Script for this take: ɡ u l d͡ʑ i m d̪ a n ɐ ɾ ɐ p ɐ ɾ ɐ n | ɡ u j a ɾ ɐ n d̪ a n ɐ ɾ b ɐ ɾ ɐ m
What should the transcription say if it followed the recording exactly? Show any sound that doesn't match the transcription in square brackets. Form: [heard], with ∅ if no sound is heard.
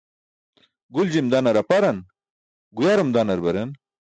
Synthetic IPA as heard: ɡ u l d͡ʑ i m d̪ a n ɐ ɾ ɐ p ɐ ɾ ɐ n | ɡ u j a ɾ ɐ [m] d̪ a n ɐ ɾ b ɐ ɾ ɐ [n]